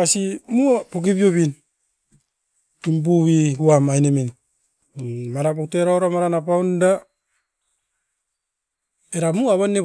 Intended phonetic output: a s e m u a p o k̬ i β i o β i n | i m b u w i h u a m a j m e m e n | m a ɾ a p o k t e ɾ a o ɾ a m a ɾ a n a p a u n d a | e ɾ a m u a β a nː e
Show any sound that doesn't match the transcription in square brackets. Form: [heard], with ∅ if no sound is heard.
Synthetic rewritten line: a s [i] m u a p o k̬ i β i o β i n | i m b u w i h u a m a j [n] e m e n | m a ɾ a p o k t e ɾ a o ɾ a m a ɾ a n a p a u n d a | e ɾ a m u a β a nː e